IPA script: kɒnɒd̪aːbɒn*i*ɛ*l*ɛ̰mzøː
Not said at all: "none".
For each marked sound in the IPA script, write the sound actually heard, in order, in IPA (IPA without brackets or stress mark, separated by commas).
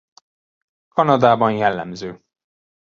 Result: j, lː